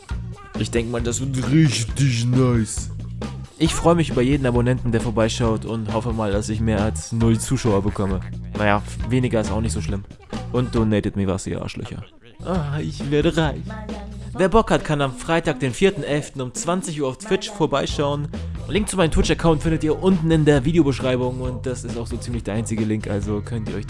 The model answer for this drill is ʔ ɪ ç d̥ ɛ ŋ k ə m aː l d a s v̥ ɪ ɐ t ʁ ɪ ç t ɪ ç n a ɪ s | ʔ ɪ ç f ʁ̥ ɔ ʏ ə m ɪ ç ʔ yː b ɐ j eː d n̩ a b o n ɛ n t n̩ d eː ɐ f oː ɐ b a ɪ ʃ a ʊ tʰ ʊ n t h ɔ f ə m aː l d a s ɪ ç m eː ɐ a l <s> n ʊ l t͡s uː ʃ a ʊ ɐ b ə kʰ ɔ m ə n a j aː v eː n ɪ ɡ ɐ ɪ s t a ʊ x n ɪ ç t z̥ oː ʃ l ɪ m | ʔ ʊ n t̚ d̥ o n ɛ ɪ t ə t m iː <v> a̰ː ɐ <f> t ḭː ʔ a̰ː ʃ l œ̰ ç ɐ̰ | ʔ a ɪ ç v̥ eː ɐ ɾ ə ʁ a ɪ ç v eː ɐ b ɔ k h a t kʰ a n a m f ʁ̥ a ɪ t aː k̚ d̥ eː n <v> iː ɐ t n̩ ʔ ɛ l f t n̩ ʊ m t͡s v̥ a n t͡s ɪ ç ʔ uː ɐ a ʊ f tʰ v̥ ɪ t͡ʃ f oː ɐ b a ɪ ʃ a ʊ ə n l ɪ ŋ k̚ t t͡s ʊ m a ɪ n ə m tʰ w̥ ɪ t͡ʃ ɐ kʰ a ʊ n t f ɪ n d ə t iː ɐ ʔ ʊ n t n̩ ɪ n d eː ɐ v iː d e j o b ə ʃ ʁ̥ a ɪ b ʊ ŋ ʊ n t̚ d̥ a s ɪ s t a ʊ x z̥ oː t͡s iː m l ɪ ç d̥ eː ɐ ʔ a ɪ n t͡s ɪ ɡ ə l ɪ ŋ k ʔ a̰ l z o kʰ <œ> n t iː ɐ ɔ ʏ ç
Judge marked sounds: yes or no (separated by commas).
yes, yes, no, no, yes